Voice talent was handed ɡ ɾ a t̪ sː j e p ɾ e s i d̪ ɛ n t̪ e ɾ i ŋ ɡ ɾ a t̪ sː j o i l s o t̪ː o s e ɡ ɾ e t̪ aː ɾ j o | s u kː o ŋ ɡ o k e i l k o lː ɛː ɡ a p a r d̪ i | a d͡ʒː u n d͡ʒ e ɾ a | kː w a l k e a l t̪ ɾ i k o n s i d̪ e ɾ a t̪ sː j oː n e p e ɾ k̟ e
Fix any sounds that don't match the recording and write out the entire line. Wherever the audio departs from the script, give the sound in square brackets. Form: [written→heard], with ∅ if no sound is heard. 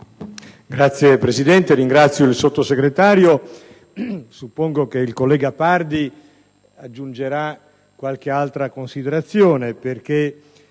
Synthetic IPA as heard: ɡ ɾ a t̪ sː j e p ɾ e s i d̪ ɛ n t̪ e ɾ i ŋ ɡ ɾ a t̪ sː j o i l s o t̪ː o s e ɡ ɾ e t̪ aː ɾ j o | s u [kː→pː] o ŋ ɡ o k e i l k o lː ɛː ɡ a p a r d̪ i | a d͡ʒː u n d͡ʒ e ɾ a | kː w a l k e a l t̪ ɾ [i→a] k o n s i d̪ e ɾ a t̪ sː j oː n e p e [ɾ→r] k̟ e